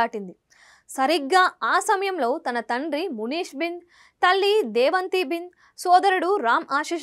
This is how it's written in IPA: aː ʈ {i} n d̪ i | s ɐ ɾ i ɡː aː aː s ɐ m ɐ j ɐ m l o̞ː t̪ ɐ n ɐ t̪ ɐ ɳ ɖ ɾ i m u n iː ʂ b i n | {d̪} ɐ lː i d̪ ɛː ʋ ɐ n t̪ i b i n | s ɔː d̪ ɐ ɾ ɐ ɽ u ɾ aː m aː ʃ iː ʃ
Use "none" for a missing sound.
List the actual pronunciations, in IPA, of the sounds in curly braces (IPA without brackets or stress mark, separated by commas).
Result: i, t̪